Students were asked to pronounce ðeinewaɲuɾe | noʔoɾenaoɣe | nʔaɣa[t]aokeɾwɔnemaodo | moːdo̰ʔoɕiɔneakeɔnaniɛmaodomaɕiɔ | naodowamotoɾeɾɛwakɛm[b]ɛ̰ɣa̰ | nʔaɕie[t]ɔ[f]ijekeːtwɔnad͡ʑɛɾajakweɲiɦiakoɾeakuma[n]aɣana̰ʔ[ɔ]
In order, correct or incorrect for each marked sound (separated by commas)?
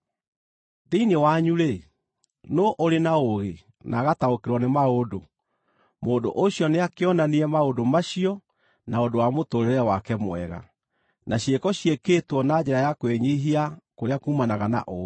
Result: correct, incorrect, incorrect, incorrect, correct, incorrect